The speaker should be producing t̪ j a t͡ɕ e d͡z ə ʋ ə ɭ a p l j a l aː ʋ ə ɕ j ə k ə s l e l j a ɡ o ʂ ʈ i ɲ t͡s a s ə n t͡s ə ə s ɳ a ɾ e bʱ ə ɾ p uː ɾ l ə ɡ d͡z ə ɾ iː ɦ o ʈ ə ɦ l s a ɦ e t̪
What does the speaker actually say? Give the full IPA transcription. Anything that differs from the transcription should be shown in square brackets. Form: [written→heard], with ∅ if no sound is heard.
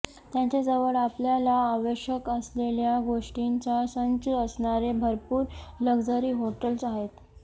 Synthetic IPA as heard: t̪ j a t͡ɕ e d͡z ə ʋ ə ɭ a p l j a l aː ʋ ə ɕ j ə k ə s l e l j a ɡ o ʂ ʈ i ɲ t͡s a s ə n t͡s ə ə s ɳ a ɾ e bʱ ə ɾ p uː ɾ l ə ɡ d͡z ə ɾ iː ɦ o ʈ ə [ɦ→∅] l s a ɦ e t̪